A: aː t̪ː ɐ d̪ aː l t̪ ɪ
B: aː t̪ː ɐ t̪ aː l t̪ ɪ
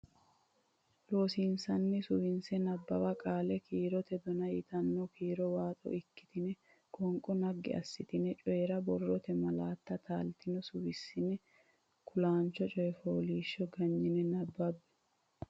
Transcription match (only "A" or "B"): B